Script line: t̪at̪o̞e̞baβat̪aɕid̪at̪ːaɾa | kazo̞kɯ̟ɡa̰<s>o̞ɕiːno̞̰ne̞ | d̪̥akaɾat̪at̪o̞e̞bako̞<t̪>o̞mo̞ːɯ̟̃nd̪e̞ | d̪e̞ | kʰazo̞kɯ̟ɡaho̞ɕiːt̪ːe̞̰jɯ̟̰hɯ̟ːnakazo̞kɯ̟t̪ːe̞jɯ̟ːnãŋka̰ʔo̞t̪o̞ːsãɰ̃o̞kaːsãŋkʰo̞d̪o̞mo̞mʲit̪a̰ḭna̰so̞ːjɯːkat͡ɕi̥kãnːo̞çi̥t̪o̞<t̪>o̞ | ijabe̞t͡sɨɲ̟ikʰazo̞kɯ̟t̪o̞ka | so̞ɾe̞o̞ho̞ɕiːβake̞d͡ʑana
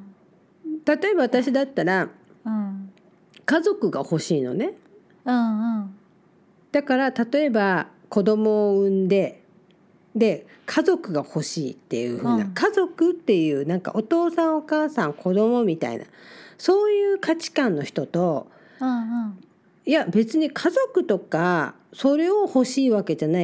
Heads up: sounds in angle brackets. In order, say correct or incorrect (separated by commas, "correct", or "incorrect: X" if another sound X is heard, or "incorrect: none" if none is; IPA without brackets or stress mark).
incorrect: h, incorrect: d̪, correct